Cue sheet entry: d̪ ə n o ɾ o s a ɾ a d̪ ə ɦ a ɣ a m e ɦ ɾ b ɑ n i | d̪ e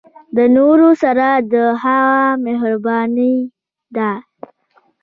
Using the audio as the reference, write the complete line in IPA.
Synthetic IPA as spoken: d̪ ə n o ɾ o s a ɾ a d̪ ə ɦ a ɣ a m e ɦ ɾ b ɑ n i | d̪ a